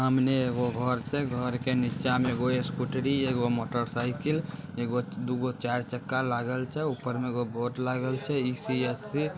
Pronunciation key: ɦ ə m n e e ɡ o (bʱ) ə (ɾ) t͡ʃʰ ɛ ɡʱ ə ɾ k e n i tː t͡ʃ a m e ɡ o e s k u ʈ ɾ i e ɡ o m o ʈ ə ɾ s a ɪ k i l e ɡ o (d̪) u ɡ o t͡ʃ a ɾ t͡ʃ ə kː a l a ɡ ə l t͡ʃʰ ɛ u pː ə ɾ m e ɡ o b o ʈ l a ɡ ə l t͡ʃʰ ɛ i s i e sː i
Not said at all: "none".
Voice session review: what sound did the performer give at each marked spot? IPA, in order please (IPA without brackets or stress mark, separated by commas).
ɡʱ, ɾ, d̪